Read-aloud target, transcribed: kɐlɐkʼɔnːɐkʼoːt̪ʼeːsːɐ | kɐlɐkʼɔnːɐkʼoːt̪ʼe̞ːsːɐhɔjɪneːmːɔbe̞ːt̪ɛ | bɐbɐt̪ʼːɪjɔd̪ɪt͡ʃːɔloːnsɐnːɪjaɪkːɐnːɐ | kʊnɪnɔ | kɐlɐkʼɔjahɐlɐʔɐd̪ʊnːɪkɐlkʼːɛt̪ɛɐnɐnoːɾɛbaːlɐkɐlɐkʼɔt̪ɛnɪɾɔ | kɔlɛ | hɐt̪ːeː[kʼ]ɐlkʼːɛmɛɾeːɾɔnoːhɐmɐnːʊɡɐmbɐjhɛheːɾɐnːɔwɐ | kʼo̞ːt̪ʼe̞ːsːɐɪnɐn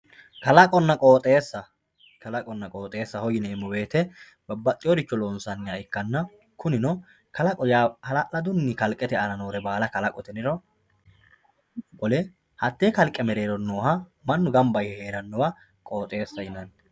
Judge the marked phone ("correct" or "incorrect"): incorrect